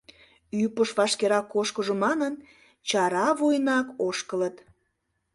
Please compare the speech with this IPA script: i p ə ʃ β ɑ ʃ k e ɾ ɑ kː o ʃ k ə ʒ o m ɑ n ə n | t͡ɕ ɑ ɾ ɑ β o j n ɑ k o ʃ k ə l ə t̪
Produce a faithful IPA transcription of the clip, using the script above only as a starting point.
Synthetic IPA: y p ə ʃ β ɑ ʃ k e ɾ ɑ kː o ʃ k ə ʒ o m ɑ n ə n | t͡ɕ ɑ ɾ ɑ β o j n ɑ k o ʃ k ə l ə t̪